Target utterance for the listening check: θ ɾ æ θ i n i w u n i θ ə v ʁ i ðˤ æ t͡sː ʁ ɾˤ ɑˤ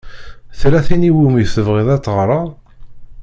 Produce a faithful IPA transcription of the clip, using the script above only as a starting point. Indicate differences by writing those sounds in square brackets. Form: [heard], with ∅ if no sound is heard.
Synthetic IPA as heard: θ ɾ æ θ i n i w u [m] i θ ə v ʁ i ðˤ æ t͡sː ʁ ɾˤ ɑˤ